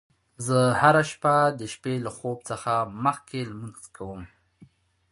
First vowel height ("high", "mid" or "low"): mid